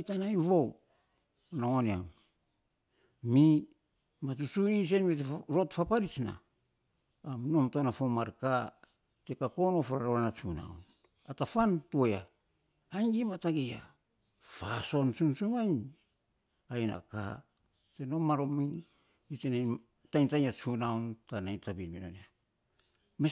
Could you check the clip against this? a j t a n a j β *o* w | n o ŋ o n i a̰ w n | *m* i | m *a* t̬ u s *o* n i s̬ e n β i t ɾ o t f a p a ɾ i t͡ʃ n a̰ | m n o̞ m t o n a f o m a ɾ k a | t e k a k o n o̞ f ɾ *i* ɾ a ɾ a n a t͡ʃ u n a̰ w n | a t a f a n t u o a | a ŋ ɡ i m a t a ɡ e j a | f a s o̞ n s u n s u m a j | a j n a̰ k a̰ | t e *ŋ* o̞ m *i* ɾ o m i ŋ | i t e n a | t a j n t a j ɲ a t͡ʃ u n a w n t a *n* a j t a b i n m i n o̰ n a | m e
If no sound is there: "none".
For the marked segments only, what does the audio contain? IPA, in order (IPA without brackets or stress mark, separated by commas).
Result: o, m, a, u, a, n, a, n